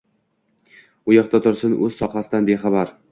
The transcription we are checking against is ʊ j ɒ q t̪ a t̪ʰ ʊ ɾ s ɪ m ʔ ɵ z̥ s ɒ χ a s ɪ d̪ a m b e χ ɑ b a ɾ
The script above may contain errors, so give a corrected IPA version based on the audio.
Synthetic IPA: ʊ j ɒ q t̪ a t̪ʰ ʊ ɾ s ɪ n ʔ ɵ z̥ s ɒ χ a s ɪ d̪ a n b e χ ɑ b a ɾ

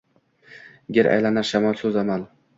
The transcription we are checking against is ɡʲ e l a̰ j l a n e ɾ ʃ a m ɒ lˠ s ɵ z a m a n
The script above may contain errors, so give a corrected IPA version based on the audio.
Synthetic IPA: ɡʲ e ɾ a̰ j l a n a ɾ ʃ a m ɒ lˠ s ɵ z a m a n

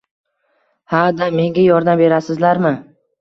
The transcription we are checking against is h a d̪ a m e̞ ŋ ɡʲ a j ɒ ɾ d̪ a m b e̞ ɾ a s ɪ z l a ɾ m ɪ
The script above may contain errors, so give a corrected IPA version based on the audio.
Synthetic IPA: h a d̪ a m e̞ ŋ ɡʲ a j ɒ ɾ d̪ a m b e̞ ɾ a s ɪ z l a ɾ m ɪ

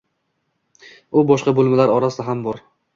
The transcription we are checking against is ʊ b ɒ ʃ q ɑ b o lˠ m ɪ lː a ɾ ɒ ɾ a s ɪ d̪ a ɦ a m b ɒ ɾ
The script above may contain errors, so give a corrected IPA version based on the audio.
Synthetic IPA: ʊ b ɒ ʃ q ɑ b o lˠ m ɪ l a ɾ ɒ ɾ a s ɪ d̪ a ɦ a m b ɒ ɾ

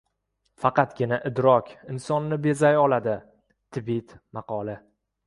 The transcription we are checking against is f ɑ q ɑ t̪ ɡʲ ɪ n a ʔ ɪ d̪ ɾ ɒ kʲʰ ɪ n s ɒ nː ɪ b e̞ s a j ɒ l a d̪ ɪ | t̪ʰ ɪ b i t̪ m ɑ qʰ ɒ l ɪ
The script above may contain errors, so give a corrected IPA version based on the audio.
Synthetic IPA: f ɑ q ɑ t̪ ɡʲ ɪ n a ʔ ɪ d̪ ɾ ɒ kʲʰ ɪ n s ɒ nː ɪ b e̞ z a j ɒ l a d̪ ɪ | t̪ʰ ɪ b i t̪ m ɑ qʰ ɒ l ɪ

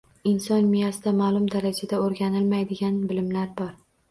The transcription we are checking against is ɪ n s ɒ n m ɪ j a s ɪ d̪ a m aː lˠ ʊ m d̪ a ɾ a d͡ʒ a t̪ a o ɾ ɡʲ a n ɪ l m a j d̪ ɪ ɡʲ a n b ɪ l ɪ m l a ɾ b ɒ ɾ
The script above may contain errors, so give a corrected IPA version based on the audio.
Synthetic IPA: ɪ n s ɒ n m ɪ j a s ɪ d̪ a m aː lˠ ʊ m d̪ a ɾ a d͡ʒ a d̪ a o ɾ ɡʲ a n ɪ l m a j d̪ ɪ ɡʲ a n b ɪ l ɪ m l a ɾ b ɒ ɾ

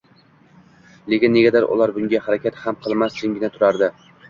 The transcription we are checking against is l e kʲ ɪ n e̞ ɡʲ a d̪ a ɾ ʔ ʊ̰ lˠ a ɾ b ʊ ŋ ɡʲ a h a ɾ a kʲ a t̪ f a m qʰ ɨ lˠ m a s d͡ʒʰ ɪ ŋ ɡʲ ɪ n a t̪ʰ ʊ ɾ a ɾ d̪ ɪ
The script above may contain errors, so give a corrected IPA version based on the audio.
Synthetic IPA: l e kʲ ɪ nː e̞ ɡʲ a d̪ a ɾ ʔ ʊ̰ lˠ a ɾ b ʊ ŋ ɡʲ a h a ɾ a kʲ a t̪ h a m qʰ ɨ lˠ m a s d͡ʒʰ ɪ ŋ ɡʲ ɪ n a t̪ʰ ʊ ɾ a ɾ d̪ ɪ

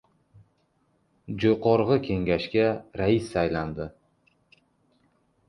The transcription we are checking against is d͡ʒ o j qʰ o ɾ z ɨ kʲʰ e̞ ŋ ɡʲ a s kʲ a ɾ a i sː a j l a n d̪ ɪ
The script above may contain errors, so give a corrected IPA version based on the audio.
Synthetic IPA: d͡ʒ o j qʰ ɒ ɾ ʁ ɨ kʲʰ e̞ ŋ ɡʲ a ʃ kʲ a ɾ a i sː a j l a n d̪ ɪ

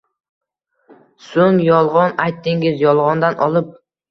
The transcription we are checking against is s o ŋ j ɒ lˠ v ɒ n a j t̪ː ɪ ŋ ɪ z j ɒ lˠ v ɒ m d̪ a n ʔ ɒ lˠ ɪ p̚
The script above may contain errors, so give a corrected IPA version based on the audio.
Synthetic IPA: s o ŋ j ɒ lˠ ʁ ɒ n a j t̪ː ɪ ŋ ɪ z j ɒ lˠ ʁ ɒ n d̪ a n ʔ ɒ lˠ ɪ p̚

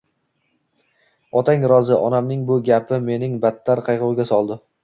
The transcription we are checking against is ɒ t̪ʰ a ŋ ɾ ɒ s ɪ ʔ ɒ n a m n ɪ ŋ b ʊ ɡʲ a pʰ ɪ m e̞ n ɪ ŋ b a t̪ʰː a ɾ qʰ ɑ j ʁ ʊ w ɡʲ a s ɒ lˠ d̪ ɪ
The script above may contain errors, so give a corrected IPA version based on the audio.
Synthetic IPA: ɒ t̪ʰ a ŋ ɾ ɒ z ɪ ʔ ɒ n a m n ɪ ŋ b ʊ ɡʲ a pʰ ɪ m e̞ n ɪ ŋ b a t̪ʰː a ɾ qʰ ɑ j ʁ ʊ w ɡʲ a s ɒ lˠ d̪ ɪ

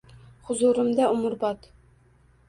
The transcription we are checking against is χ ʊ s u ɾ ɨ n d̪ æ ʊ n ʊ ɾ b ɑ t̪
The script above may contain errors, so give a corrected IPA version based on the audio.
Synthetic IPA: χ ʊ z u ɾ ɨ m d̪ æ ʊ m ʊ ɾ b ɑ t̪

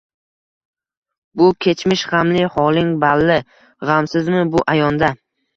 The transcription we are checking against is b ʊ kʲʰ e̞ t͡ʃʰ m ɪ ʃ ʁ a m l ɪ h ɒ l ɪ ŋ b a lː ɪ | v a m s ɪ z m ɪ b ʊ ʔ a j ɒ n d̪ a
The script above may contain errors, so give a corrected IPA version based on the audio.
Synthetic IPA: b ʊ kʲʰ e̞ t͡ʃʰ m ɪ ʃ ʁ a m l ɪ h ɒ l ɪ ŋ b a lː ɪ | ʁ a m s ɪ z m ɪ b ʊ ʔ a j ɒ n d̪ a

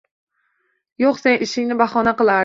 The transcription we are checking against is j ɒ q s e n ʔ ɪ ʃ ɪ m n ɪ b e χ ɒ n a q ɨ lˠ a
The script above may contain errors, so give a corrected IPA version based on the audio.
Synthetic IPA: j o q s e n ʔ ɪ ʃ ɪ ŋ n ɪ b a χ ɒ n a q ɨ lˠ a

